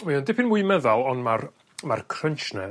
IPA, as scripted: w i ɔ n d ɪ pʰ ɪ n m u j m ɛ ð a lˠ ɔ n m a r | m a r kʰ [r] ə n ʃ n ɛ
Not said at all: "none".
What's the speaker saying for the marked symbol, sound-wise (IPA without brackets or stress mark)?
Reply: r